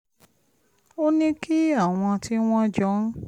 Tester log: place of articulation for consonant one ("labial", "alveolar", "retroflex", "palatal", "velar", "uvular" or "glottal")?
alveolar